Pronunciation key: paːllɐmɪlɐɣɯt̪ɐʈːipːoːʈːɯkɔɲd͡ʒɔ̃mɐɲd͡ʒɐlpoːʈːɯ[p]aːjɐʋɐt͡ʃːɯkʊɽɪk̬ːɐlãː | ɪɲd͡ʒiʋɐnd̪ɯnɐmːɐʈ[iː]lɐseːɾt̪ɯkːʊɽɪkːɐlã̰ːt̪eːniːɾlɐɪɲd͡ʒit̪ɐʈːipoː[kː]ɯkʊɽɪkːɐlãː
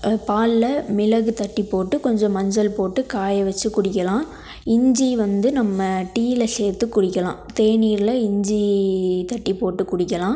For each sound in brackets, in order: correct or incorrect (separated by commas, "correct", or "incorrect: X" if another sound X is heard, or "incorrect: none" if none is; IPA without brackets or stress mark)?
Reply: incorrect: k, correct, incorrect: ʈː